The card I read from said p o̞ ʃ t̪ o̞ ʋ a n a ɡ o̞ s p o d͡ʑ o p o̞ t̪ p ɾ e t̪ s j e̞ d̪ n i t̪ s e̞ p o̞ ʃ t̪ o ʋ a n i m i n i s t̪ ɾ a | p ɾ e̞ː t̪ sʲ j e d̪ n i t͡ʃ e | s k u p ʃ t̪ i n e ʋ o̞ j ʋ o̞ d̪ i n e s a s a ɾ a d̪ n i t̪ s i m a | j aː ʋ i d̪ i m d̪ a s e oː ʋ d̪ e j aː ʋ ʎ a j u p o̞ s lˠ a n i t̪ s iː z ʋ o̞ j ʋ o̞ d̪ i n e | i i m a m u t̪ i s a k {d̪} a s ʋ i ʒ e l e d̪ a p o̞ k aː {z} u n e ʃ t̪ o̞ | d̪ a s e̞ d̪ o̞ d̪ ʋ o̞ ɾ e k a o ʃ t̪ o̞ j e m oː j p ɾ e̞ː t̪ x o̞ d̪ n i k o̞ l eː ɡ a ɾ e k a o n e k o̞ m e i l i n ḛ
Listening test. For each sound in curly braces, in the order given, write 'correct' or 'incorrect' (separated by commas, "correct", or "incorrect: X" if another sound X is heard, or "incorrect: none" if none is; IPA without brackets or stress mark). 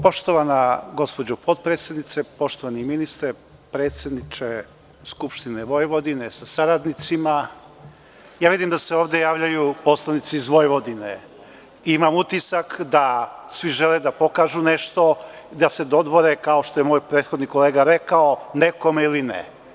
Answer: correct, incorrect: ʒ